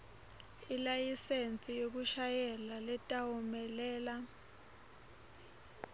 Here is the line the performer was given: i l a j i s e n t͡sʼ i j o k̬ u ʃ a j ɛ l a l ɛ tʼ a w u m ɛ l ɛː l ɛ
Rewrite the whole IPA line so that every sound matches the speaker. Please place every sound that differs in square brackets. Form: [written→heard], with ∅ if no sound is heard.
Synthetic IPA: i l a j i s e n t͡sʼ i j o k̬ u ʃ a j ɛ l a l ɛ tʼ a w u m ɛ l ɛː l [ɛ→a]